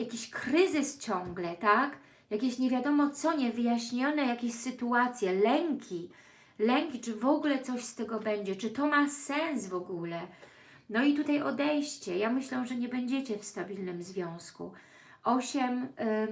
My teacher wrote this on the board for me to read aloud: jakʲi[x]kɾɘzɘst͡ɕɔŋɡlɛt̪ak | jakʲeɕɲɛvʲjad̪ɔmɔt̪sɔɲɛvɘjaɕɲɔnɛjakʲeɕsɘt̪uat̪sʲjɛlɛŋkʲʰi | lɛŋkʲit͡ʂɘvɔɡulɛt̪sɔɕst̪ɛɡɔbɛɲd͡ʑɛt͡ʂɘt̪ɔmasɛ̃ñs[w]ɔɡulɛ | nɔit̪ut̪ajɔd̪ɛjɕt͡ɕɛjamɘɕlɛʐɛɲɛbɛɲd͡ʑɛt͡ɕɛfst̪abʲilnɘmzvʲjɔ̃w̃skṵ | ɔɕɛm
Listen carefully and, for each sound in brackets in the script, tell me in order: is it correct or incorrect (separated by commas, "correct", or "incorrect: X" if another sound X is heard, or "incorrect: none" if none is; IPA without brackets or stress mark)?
incorrect: ɕ, incorrect: v